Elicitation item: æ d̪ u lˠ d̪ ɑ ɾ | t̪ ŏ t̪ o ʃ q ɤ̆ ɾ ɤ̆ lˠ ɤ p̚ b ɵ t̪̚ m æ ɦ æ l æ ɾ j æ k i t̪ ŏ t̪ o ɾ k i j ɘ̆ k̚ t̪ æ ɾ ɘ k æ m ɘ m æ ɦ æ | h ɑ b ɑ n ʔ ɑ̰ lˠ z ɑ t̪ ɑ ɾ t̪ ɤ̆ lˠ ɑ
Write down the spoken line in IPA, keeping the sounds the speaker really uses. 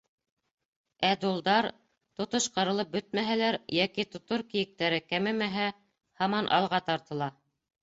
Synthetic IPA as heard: æ d̪ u lˠ d̪ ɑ ɾ | t̪ ŏ t̪ o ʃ q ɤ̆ ɾ ɤ̆ lˠ ɤ p̚ b ɵ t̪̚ m æ ɦ æ l æ ɾ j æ k i t̪ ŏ t̪ o ɾ k i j ɘ̆ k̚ t̪ æ ɾ ɘ k æ m ɘ m æ ɦ æ | h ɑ m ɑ n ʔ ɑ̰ lˠ ʁ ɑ t̪ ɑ ɾ t̪ ɤ̆ lˠ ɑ